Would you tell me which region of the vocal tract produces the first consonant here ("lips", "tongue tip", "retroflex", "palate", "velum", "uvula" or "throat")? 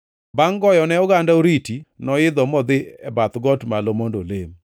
lips